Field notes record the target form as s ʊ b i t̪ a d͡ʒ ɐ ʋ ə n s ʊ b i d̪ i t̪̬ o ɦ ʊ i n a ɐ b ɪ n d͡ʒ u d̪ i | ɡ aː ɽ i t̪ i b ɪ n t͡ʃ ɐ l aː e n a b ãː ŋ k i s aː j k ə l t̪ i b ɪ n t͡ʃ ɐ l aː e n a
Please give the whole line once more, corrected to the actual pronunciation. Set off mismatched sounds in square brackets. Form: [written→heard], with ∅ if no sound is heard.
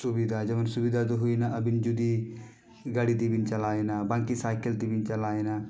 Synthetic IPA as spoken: s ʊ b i [t̪→d̪] a d͡ʒ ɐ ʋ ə n s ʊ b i d̪ [i→a] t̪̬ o ɦ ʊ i n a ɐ b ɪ n d͡ʒ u d̪ i | ɡ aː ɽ i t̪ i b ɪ n t͡ʃ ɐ l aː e n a b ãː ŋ k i s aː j k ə l t̪ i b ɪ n t͡ʃ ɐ l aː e n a